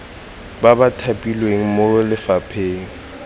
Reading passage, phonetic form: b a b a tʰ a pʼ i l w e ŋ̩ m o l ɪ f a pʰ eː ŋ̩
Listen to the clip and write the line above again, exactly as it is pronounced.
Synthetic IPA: b a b a tʰ a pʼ i l w e ŋ̩ m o l ɪ f a pʰ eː ŋ̩